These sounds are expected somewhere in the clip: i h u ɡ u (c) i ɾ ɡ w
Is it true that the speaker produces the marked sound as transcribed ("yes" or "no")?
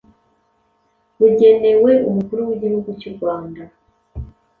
yes